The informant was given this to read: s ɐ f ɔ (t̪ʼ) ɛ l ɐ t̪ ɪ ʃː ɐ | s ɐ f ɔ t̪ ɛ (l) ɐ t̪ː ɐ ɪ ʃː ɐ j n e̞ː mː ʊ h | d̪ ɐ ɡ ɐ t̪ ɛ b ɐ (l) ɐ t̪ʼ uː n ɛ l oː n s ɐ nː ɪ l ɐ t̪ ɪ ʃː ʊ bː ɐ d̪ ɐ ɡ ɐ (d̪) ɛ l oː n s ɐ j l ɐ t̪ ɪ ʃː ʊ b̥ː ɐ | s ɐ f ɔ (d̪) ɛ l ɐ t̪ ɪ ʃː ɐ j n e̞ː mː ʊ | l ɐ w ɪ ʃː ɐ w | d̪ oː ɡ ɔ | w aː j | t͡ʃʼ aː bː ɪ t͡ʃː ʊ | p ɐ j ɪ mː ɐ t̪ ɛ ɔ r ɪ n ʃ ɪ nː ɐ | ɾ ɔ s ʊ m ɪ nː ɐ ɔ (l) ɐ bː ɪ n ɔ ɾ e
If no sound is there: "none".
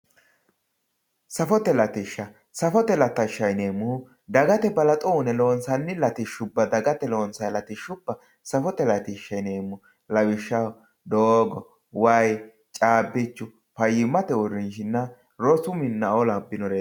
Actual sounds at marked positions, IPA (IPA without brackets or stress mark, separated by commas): t̪, l, l, t̪, t̪, l